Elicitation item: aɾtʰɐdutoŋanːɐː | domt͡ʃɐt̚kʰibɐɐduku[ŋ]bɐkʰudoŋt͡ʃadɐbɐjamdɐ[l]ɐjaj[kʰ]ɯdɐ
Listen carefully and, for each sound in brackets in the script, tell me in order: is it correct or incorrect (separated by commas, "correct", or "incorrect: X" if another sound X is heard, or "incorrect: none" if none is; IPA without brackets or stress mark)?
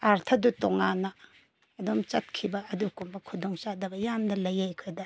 incorrect: m, correct, correct